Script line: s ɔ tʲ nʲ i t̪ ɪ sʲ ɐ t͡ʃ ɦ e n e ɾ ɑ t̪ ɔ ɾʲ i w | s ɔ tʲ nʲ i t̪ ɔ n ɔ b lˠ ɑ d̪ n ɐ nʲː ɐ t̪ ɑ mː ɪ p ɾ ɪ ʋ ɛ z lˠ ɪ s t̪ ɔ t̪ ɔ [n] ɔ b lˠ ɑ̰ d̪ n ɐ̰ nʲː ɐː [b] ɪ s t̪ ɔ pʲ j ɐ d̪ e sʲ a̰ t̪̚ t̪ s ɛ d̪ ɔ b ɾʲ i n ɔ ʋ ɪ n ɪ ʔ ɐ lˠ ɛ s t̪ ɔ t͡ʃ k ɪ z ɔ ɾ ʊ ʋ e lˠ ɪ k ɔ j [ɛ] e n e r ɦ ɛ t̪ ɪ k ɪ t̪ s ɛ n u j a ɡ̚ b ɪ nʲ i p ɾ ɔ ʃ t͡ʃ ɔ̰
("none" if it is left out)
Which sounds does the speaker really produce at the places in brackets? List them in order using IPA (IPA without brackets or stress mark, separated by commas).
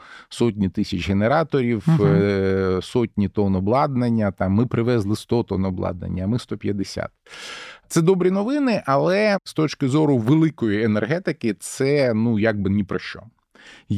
n, m, i